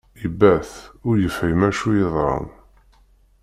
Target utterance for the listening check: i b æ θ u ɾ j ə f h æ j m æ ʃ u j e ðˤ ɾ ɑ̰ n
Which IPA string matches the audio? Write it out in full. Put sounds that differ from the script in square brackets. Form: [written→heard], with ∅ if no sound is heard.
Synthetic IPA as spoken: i b æ θ [u→ʊ] ɾ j ə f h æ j m æ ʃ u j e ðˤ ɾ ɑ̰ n